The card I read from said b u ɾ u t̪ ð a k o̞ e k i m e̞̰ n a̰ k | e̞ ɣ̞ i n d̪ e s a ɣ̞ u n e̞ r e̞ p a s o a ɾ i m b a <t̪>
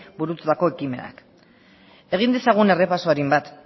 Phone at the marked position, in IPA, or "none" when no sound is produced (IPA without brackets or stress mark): t̪